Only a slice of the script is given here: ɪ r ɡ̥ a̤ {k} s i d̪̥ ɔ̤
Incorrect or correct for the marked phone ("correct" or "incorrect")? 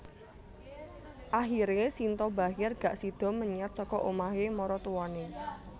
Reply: incorrect